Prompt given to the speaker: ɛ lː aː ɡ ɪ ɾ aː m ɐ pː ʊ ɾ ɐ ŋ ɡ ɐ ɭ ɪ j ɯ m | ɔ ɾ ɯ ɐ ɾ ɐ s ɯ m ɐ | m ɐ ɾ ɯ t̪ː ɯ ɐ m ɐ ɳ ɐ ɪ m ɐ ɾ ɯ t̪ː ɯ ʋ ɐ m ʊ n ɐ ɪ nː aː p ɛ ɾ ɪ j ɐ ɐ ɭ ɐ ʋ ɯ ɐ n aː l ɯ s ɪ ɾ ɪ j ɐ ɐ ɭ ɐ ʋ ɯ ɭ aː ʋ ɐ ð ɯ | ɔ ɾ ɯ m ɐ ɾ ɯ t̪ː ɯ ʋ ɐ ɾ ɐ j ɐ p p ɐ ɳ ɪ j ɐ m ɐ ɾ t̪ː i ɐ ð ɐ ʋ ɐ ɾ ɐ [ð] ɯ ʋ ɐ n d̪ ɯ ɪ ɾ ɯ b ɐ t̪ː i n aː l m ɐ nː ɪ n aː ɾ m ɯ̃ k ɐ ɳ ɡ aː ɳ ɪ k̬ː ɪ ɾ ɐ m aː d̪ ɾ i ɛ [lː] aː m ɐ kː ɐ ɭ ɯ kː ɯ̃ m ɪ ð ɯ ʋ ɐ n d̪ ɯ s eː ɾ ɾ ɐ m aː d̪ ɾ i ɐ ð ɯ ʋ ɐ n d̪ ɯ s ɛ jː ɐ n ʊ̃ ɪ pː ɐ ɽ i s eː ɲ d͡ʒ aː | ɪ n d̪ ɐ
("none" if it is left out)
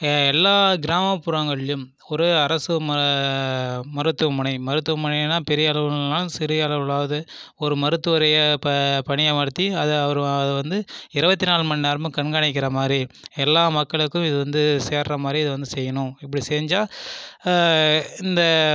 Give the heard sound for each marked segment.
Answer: ð, lː

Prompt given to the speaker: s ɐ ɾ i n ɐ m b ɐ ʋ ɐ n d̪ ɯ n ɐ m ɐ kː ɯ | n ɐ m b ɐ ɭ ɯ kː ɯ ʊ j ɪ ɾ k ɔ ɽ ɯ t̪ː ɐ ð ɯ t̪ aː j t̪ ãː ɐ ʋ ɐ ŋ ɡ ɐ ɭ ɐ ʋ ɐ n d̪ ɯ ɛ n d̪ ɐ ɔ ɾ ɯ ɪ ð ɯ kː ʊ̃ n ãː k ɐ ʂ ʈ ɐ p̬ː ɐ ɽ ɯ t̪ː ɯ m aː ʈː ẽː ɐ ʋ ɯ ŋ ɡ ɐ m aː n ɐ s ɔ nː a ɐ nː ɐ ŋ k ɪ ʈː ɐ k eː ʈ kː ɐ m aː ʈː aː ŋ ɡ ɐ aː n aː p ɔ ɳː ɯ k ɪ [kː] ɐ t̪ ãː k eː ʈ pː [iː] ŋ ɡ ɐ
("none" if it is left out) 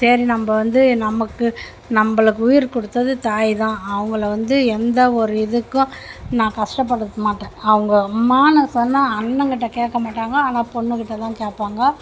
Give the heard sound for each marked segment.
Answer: ʈː, aː

